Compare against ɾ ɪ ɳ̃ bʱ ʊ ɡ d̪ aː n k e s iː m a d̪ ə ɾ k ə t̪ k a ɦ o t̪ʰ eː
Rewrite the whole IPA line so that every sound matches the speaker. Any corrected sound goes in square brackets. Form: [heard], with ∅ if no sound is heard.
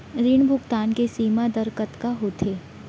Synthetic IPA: ɾ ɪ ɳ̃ bʱ ʊ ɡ [t̪] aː n k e s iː m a d̪ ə ɾ k ə t̪ k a ɦ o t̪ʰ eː